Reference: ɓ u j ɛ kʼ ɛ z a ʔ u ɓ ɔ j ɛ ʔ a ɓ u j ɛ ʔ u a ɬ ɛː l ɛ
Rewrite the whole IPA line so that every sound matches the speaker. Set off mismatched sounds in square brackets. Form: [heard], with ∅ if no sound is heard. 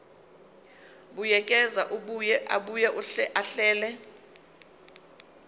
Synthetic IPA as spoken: ɓ u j ɛ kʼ ɛ z a ʔ u ɓ [u] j ɛ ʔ a ɓ u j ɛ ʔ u a ɬ ɛː l ɛ